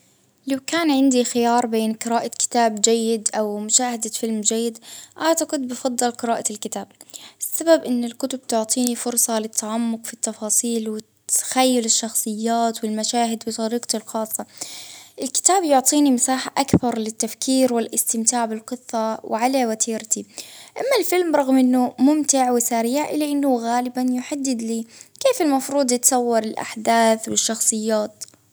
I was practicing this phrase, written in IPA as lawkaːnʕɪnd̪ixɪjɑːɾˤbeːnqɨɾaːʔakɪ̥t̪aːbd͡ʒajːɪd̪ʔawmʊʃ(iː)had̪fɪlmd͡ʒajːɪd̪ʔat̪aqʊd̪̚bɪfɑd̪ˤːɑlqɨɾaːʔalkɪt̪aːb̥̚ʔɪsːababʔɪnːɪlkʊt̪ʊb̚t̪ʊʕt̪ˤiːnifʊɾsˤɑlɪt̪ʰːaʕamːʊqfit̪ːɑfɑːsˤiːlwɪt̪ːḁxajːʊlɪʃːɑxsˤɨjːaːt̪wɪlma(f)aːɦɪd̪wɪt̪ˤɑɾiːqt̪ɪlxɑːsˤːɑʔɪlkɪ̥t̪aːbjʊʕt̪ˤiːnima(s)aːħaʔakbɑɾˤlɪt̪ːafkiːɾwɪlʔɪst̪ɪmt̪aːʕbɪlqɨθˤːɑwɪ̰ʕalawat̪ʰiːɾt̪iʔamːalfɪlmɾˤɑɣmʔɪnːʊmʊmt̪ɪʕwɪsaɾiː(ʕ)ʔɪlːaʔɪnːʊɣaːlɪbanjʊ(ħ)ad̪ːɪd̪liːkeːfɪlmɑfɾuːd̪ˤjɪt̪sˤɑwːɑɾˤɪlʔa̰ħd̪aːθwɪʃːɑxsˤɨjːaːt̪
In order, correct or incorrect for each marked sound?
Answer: incorrect, incorrect, correct, correct, correct

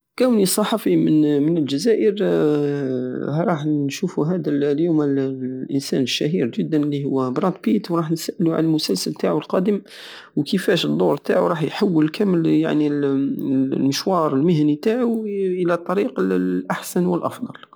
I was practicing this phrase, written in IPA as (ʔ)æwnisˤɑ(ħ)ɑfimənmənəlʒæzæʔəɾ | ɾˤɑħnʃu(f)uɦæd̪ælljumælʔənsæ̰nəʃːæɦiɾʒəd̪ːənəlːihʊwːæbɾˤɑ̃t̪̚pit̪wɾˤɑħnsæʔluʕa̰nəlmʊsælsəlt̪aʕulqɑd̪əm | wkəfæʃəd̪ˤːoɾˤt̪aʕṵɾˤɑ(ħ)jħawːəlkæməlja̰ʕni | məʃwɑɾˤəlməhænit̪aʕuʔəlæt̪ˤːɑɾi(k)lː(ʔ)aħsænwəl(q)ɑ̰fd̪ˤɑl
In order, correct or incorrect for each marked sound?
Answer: incorrect, correct, correct, correct, incorrect, correct, incorrect

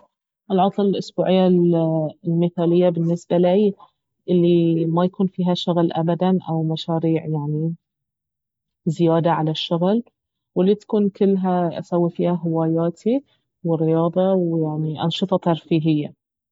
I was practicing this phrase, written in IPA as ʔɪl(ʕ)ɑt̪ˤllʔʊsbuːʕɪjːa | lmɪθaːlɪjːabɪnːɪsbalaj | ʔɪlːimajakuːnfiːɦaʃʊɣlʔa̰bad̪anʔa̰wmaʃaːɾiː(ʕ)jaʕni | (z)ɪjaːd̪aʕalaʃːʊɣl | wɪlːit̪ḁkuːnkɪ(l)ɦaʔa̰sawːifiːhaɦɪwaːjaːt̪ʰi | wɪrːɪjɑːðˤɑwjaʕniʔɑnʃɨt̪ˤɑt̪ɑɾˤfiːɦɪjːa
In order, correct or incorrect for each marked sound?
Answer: correct, correct, correct, incorrect

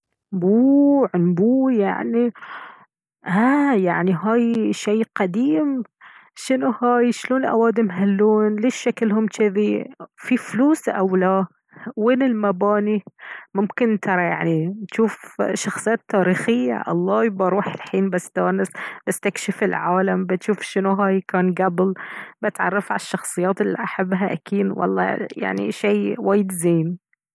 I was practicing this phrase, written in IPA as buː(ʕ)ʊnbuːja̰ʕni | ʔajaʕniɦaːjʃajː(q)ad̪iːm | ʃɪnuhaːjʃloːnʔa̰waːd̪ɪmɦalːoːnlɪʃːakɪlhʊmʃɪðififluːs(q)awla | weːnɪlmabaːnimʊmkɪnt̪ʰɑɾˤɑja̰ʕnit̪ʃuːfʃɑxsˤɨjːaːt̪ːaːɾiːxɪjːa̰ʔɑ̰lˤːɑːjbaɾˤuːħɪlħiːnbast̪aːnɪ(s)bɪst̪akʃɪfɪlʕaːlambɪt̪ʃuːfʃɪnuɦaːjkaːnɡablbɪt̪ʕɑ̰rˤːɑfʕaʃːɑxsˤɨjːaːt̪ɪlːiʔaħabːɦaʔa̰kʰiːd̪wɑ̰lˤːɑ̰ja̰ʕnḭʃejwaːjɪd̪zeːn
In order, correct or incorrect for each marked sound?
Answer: correct, correct, incorrect, correct

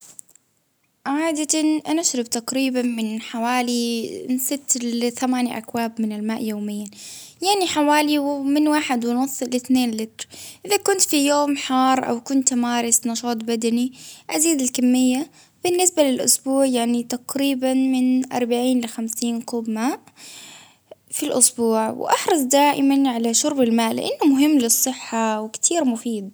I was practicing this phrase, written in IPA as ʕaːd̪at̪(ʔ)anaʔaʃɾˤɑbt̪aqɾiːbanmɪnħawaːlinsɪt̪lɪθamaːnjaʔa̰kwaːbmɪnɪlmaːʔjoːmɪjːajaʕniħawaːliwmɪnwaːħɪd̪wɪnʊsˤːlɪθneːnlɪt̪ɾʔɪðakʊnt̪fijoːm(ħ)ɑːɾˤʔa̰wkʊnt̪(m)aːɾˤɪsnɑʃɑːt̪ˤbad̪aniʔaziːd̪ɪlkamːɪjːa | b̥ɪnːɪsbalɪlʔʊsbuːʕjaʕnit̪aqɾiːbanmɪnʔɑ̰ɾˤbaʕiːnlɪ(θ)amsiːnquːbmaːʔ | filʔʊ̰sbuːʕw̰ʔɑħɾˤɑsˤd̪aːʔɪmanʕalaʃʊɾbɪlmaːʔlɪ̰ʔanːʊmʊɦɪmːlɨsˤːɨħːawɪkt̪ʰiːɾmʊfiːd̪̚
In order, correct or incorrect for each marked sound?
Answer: correct, correct, correct, incorrect

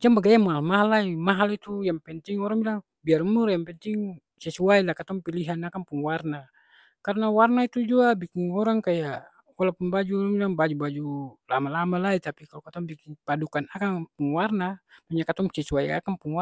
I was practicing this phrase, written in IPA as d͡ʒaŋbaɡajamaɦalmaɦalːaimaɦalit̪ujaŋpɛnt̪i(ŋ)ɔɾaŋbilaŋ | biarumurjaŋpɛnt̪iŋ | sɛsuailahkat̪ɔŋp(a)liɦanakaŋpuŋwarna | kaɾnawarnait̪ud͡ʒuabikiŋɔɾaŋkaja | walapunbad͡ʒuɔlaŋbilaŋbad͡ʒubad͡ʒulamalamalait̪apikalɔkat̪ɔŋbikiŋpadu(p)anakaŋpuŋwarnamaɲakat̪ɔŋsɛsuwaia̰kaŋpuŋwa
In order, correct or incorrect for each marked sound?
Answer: correct, incorrect, incorrect

